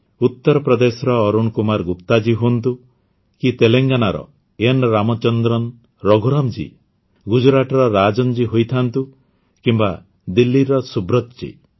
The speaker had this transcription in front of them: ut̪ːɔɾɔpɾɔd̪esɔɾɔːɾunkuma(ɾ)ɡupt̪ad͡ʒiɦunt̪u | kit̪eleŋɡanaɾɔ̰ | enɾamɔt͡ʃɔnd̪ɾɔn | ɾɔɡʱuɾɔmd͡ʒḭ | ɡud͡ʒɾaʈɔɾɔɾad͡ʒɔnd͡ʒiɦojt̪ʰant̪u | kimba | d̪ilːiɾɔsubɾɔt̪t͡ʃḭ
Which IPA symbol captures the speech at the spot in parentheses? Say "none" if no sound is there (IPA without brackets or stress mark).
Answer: ɾ